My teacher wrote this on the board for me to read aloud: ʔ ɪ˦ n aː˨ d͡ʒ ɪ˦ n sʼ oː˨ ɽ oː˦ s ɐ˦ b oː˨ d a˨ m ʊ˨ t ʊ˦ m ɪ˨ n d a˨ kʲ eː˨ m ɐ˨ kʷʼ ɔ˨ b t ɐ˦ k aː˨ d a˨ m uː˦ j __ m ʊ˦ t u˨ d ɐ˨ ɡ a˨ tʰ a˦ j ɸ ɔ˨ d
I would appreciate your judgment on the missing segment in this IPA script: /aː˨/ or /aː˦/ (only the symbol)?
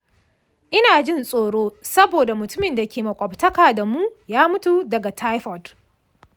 aː˦